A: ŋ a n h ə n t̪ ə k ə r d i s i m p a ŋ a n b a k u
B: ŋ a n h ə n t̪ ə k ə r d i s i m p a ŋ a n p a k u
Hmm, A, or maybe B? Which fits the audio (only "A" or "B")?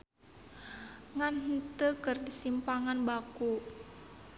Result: A